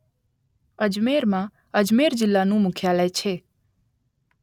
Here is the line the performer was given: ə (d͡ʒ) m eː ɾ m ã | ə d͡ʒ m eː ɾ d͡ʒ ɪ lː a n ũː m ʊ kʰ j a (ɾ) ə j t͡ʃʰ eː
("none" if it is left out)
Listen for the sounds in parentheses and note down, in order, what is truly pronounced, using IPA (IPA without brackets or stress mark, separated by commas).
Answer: d͡ʒ, l